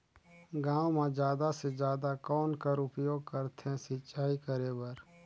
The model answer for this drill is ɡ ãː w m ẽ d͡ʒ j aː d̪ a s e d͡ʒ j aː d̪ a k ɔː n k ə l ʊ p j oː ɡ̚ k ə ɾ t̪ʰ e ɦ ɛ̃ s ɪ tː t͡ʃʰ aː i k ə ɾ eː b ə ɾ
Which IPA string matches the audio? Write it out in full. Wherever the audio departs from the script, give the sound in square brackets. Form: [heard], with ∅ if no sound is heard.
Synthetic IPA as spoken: ɡ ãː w m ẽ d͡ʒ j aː d̪ a s e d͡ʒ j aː d̪ a k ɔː n k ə [ɾ] ʊ p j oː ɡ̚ k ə ɾ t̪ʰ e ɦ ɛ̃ s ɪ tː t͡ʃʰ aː i k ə ɾ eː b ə ɾ